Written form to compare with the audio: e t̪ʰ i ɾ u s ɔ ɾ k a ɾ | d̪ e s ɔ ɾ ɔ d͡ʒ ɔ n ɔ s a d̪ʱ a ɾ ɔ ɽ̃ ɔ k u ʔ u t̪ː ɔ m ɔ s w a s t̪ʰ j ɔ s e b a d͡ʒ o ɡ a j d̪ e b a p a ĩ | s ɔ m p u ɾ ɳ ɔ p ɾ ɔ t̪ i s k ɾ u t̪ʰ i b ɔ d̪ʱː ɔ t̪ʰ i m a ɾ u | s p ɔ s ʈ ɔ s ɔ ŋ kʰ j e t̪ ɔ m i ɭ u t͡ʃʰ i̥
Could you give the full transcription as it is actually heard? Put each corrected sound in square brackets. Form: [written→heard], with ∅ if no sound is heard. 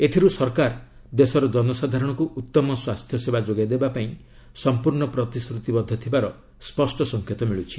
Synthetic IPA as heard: e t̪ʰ i ɾ u s ɔ ɾ k a ɾ | d̪ e s ɔ ɾ ɔ d͡ʒ ɔ n ɔ s a d̪ʱ a ɾ ɔ ɽ̃ ɔ k u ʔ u t̪ː ɔ m ɔ s w a s t̪ʰ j ɔ s e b a d͡ʒ o ɡ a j d̪ e b a p a ĩ | s ɔ m p u ɾ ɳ ɔ p ɾ ɔ t̪ i s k ɾ u [t̪ʰ→t̪] i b ɔ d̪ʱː ɔ t̪ʰ i [m→b] a ɾ [u→ɔ] | s p ɔ s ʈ ɔ s ɔ ŋ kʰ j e t̪ ɔ m i ɭ u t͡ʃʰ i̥